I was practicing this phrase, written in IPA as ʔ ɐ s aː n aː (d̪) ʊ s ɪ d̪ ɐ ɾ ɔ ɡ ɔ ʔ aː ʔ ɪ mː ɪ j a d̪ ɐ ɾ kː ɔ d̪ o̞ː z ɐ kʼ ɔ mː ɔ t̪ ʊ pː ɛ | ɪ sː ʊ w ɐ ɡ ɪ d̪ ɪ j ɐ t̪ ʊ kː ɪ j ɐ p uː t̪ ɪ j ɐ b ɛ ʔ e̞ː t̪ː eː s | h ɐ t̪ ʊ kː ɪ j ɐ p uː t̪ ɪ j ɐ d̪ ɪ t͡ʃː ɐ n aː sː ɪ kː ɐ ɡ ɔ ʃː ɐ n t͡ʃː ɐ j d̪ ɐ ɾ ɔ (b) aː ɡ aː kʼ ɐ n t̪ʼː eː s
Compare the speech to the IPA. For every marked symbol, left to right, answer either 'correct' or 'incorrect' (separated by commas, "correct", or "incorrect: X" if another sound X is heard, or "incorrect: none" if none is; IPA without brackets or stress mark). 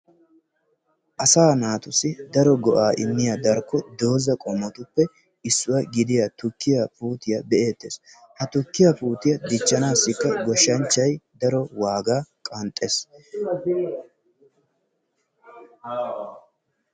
incorrect: t̪, incorrect: w